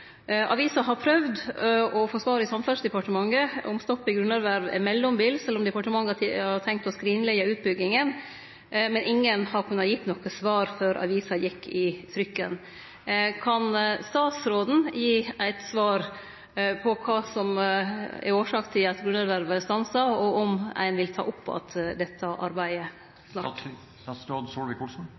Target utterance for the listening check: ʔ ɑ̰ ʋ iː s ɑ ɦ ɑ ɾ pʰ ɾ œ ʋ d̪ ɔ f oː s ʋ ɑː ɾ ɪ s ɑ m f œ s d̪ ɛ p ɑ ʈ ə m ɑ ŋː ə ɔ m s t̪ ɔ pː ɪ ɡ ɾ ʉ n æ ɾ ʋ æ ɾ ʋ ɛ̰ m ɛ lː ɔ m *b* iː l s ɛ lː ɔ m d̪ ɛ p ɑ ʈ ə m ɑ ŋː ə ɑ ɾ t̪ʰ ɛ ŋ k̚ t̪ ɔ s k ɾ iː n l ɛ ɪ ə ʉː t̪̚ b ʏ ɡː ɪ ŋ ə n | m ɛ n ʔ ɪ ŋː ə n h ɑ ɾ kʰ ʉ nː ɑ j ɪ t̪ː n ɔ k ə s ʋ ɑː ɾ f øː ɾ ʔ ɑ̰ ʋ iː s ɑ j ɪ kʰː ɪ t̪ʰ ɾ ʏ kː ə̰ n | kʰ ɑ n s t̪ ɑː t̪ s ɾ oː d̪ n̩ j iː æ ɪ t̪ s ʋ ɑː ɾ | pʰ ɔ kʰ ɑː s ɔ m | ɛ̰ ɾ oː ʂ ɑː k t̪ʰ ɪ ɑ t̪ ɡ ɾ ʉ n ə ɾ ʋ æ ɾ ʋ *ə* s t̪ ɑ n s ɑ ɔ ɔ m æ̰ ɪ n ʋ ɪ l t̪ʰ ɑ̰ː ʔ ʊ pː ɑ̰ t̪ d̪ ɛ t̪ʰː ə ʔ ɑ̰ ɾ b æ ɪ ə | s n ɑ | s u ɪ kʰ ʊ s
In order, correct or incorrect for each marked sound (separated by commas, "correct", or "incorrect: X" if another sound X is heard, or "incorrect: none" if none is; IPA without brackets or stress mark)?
correct, correct